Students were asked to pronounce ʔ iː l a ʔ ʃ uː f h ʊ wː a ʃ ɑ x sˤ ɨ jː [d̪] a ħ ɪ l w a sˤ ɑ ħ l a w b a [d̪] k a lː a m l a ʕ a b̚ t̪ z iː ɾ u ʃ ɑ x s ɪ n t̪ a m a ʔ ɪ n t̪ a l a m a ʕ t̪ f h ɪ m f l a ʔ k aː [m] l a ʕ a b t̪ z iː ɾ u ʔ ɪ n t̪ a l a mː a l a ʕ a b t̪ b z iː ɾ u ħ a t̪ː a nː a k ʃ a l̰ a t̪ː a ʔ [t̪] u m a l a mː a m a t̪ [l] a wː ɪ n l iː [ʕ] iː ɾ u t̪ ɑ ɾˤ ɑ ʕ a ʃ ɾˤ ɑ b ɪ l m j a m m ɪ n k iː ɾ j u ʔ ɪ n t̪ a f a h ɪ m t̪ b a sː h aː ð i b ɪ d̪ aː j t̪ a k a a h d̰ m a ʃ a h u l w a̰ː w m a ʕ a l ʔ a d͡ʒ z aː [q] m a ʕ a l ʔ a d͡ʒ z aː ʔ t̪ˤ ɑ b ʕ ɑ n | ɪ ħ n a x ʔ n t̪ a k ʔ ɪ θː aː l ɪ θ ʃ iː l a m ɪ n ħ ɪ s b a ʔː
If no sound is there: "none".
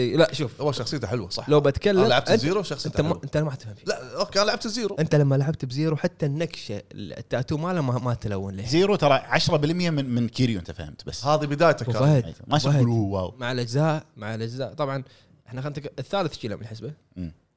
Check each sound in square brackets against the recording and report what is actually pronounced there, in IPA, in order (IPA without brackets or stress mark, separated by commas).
t̪, t̪, n, t̪, l, z, ʔ